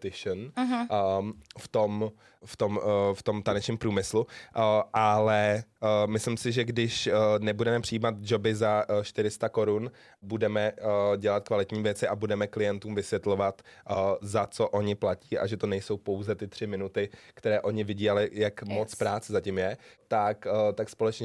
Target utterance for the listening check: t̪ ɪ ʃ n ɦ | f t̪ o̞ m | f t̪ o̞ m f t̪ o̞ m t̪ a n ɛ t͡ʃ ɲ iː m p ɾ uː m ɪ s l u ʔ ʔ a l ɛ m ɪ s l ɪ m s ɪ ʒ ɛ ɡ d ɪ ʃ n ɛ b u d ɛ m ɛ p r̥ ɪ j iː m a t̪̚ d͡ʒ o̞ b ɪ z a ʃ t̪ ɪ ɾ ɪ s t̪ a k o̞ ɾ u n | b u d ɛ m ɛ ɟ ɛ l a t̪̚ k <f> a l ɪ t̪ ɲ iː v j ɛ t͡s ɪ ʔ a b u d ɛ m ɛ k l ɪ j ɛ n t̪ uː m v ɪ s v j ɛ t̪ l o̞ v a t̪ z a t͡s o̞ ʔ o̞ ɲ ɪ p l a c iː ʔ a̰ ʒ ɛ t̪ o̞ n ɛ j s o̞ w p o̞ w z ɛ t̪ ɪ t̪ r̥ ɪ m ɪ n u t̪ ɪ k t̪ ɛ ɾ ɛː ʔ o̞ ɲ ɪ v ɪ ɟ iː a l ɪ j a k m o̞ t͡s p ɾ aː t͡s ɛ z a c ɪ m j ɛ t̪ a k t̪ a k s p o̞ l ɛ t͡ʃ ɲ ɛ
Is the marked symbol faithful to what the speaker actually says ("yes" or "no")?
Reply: no